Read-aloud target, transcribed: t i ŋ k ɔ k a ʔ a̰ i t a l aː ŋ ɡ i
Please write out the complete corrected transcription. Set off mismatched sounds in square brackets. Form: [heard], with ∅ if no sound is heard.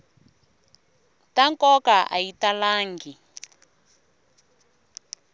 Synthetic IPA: t [a] ŋ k ɔ k a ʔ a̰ i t a l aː ŋ ɡ i